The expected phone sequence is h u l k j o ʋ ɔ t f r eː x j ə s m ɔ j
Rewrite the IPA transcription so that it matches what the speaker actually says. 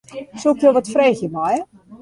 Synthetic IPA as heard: s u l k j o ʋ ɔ t f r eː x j ə m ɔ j